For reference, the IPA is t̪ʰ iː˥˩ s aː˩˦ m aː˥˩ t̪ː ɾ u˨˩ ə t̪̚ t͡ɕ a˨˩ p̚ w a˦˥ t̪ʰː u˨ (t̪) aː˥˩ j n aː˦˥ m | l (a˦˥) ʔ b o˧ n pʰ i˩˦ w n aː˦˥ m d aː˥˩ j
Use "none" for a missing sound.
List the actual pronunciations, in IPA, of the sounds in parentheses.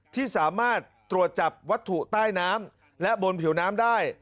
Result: t̪, ɛ˦˥

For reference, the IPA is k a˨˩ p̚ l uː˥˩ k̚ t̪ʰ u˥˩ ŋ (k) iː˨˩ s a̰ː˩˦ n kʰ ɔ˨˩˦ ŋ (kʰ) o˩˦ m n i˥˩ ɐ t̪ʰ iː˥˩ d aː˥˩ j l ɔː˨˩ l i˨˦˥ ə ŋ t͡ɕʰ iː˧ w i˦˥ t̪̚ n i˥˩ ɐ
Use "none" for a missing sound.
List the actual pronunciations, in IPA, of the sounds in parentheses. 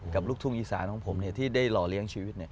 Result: ʔ, pʰ

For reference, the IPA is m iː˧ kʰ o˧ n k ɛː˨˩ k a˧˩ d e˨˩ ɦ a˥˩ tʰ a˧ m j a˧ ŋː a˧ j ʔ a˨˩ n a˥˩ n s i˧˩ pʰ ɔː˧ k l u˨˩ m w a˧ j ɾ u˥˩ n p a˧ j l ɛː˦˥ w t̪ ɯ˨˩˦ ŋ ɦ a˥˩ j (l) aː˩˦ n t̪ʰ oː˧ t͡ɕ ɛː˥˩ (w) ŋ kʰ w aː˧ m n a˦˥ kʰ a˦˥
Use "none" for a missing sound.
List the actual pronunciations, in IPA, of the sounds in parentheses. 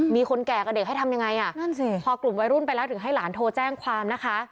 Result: l, none

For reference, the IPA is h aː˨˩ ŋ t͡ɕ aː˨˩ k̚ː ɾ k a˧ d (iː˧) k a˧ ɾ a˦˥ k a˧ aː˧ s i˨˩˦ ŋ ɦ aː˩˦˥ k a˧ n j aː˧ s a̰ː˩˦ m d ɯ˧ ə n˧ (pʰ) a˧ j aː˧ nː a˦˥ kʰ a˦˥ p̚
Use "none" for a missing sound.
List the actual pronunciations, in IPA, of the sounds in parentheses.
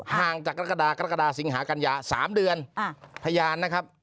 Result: aː˧, pʰ

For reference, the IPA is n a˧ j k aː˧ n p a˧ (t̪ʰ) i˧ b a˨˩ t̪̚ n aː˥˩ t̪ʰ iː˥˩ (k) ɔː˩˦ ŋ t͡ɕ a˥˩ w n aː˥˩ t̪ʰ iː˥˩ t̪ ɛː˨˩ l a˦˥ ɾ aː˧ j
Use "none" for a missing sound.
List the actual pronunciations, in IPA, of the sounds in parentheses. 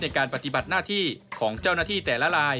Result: t̪, kʰ

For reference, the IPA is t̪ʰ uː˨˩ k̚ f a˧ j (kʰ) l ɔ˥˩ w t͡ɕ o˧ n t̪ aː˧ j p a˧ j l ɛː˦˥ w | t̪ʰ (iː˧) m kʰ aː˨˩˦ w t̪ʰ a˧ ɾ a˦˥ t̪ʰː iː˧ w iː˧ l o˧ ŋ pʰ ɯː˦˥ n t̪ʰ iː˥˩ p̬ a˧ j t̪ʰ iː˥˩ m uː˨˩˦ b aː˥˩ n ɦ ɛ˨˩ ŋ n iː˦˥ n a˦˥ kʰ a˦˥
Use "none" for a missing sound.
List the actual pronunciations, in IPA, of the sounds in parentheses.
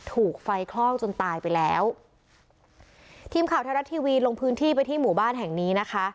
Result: kʰ, iː˧

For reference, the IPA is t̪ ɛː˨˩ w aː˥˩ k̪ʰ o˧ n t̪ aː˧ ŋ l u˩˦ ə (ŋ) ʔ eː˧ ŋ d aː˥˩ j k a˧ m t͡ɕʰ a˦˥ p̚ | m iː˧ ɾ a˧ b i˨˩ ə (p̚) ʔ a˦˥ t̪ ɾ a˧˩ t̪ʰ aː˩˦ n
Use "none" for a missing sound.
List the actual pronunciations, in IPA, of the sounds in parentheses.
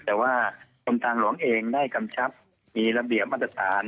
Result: ŋ, p̚

